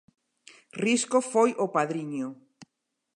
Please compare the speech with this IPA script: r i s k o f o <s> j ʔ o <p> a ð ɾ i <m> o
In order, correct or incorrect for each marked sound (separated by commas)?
incorrect, correct, incorrect